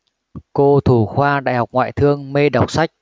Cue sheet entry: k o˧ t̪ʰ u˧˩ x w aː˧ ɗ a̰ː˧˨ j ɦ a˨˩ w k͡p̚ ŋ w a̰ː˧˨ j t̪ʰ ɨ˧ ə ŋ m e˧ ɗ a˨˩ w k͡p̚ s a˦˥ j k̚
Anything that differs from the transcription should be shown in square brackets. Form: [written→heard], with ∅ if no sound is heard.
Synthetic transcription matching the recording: k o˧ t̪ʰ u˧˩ x w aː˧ ɗ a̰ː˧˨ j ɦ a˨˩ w k͡p̚ ŋ w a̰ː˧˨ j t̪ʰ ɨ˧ ə ŋ m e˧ ɗ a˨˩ w k͡p̚ s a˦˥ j k̚